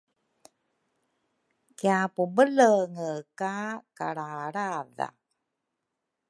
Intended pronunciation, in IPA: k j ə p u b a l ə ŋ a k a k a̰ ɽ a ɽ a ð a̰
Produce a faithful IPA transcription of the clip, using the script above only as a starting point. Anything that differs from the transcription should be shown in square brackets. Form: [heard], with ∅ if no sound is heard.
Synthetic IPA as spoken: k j [a] p u b [ə] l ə ŋ [ə] k a k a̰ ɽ a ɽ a ð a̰